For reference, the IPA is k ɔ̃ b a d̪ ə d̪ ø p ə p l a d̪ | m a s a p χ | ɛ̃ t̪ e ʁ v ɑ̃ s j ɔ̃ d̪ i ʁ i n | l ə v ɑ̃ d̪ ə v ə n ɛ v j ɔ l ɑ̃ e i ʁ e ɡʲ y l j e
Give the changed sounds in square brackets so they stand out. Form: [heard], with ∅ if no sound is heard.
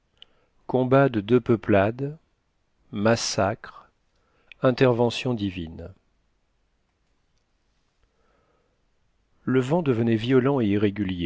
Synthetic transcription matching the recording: k ɔ̃ b a d̪ ə d̪ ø p ə p l a d̪ | m a s a [k] χ | ɛ̃ t̪ [ɛ] ʁ v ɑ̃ s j ɔ̃ d̪ i [v] i n | l ə v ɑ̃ d̪ ə v ə n ɛ v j ɔ l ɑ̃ e i ʁ e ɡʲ y l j e